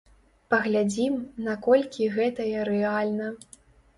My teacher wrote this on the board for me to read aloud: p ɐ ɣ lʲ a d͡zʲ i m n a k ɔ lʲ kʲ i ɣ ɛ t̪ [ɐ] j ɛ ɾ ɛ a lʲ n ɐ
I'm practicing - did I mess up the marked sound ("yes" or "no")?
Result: no